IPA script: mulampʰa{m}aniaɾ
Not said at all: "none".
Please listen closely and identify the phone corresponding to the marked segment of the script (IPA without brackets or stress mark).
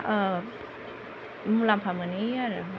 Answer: m